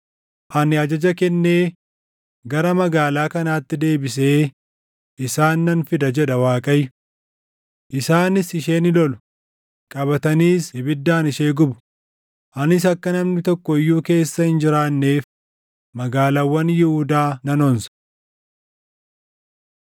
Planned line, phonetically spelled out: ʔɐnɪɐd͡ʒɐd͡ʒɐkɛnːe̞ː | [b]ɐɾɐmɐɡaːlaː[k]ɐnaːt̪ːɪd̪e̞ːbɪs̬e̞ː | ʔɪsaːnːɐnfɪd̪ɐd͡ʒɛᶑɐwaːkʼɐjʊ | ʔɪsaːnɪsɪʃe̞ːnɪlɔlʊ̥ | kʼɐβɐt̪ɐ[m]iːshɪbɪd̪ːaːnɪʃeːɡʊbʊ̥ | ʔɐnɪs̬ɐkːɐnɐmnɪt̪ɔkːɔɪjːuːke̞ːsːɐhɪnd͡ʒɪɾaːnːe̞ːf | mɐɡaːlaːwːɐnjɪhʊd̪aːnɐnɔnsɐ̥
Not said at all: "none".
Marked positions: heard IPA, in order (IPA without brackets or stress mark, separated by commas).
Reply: ɡ, k, n